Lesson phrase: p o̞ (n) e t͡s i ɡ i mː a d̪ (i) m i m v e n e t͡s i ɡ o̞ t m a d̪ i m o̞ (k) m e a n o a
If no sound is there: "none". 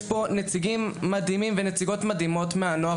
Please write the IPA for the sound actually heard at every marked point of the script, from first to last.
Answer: n, i, t

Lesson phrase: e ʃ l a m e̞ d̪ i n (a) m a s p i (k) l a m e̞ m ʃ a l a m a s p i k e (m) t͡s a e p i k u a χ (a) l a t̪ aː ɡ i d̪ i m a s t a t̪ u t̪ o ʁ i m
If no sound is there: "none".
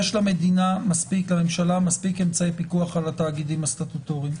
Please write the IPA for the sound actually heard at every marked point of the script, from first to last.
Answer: a, k, m, a

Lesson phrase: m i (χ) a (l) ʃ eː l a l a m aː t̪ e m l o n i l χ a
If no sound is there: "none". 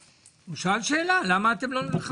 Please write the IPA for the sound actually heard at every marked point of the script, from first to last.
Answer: ʃ, l

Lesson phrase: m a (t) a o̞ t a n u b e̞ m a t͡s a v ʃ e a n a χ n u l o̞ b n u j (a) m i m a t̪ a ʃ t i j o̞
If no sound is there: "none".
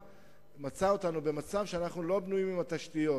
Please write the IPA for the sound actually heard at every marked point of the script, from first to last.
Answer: t͡s, i

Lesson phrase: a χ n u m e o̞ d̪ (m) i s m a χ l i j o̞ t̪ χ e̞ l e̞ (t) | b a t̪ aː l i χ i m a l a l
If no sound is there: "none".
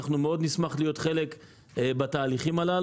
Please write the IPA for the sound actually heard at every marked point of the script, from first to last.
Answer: n, k

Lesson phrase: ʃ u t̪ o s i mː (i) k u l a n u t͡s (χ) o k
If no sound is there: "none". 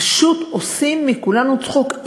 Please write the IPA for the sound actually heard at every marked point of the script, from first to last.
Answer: i, χ

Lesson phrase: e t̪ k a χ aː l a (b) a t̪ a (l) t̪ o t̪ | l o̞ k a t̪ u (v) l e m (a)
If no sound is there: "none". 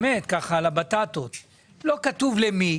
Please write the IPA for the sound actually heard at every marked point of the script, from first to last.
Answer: b, none, v, i

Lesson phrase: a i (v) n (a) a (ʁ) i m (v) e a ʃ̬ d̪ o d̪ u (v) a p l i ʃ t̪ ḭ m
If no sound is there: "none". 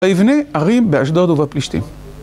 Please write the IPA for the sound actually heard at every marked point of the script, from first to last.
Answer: v, e, ʁ, b, v

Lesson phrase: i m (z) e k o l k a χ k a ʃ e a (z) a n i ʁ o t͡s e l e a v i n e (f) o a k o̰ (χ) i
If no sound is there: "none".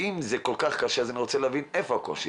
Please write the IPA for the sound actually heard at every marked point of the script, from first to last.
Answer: z, z, f, ʃ

